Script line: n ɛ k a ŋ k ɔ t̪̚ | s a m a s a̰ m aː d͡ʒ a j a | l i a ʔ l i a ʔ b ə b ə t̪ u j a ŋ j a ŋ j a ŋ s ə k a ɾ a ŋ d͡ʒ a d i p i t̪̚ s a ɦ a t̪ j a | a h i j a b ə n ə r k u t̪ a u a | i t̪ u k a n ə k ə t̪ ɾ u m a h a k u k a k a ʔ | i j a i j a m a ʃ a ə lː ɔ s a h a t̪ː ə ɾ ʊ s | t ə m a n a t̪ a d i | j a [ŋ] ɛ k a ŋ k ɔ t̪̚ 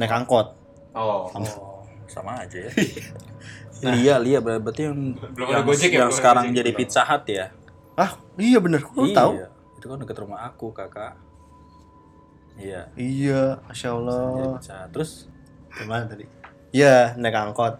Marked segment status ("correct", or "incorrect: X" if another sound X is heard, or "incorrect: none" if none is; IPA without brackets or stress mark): incorrect: n